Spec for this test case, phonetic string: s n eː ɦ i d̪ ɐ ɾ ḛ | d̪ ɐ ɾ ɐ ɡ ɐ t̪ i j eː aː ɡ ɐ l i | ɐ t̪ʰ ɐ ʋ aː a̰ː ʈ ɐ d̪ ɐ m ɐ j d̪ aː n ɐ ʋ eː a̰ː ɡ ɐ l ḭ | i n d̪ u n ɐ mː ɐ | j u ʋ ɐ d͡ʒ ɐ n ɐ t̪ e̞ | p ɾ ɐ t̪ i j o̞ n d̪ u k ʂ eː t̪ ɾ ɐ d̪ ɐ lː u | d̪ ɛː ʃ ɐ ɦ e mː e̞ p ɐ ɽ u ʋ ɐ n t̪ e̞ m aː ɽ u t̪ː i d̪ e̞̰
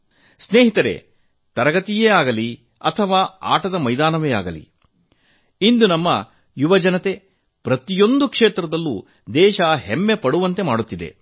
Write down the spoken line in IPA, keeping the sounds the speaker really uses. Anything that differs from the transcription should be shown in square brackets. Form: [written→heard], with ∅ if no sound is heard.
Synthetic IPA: s n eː ɦ i [d̪→t̪] ɐ ɾ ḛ | [d̪→t̪] ɐ ɾ ɐ ɡ ɐ t̪ i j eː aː ɡ ɐ l i | ɐ t̪ʰ ɐ ʋ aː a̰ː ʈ ɐ d̪ ɐ m ɐ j d̪ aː n ɐ ʋ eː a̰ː ɡ ɐ l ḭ | i n d̪ u n ɐ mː ɐ | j u ʋ ɐ d͡ʒ ɐ n ɐ t̪ e̞ | p ɾ ɐ t̪ i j o̞ n d̪ u k ʂ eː t̪ ɾ ɐ d̪ ɐ lː u | d̪ ɛː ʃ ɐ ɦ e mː e̞ p ɐ ɽ u ʋ ɐ n t̪ e̞ m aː ɽ u t̪ː i d̪ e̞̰

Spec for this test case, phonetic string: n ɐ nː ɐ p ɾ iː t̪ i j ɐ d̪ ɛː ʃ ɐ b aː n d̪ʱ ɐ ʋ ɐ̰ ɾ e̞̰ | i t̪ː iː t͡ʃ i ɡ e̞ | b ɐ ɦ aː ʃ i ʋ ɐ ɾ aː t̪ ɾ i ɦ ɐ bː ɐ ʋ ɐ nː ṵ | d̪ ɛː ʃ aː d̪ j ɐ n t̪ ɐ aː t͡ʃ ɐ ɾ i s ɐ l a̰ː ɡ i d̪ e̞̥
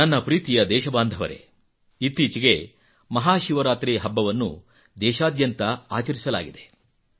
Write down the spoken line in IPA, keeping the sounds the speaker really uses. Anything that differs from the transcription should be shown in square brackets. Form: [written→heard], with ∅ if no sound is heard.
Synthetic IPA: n ɐ nː ɐ p ɾ iː t̪ i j ɐ d̪ ɛː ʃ ɐ b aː n d̪ʱ ɐ ʋ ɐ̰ ɾ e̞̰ | i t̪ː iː t͡ʃ i ɡ e̞ | [b→m] ɐ ɦ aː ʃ i ʋ ɐ ɾ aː t̪ ɾ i ɦ ɐ bː ɐ ʋ ɐ nː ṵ | d̪ ɛː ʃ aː d̪ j ɐ n t̪ ɐ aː t͡ʃ ɐ ɾ i s ɐ l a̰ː ɡ i d̪ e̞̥

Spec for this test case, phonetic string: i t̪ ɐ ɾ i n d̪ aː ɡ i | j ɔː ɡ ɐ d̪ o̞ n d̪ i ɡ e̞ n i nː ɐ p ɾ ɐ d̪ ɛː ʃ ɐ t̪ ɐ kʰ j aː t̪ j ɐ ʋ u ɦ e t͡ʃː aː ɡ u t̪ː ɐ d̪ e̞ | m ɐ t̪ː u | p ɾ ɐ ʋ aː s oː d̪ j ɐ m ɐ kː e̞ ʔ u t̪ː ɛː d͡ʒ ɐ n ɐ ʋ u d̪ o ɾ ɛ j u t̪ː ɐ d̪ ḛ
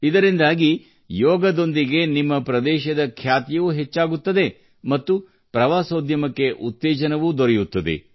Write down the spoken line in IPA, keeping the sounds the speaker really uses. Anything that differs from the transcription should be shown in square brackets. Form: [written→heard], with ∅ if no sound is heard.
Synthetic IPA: i [t̪→d̪] ɐ ɾ i n d̪ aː ɡ i | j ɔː ɡ ɐ d̪ o̞ n d̪ i ɡ e̞ n i [nː→mː] ɐ p ɾ ɐ d̪ ɛː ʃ ɐ [t̪→d̪] ɐ kʰ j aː t̪ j ɐ ʋ u ɦ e t͡ʃː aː ɡ u t̪ː ɐ d̪ e̞ | m ɐ t̪ː u | p ɾ ɐ ʋ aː s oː d̪ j ɐ m ɐ kː e̞ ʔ u t̪ː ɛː d͡ʒ ɐ n ɐ ʋ u d̪ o ɾ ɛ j u t̪ː ɐ d̪ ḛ

